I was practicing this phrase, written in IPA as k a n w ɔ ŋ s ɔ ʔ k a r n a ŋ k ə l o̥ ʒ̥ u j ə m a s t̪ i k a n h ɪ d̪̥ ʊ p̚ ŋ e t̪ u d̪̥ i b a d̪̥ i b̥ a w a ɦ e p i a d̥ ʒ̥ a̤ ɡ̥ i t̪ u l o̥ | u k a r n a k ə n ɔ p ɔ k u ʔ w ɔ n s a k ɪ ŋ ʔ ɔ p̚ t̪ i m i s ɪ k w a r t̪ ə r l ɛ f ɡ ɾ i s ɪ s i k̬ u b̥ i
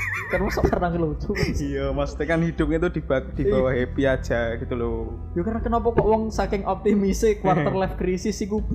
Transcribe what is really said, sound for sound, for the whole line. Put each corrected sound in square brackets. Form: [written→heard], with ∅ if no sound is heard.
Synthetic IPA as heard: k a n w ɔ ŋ s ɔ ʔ k a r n a ŋ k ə l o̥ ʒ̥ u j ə m a s t̪ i k a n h [ɪ→i] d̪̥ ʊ p̚ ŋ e t̪ u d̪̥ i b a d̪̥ i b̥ a w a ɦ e p i a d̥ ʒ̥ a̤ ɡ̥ i t̪ u l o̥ | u k a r n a k ə n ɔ p ɔ k [u→ɔ] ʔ w ɔ [n→ŋ] s a k ɪ ŋ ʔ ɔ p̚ t̪ i m i s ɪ k w a r t̪ ə r l ɛ f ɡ ɾ i s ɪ s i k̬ u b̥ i